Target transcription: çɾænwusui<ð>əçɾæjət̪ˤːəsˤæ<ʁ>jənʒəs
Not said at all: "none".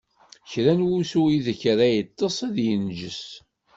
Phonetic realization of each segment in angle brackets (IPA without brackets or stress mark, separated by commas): ð, ð